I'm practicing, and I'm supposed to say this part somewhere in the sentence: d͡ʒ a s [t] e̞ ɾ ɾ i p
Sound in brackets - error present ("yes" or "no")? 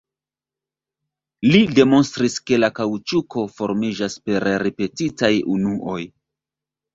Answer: yes